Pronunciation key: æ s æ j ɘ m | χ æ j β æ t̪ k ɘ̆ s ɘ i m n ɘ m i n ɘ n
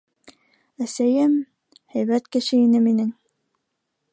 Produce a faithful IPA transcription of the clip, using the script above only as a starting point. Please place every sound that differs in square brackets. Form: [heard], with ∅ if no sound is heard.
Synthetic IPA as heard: æ s æ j ɘ m | [h] æ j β æ t̪ k ɘ̆ [ʃ] ɘ i [∅] n ɘ m i n ɘ [ŋ]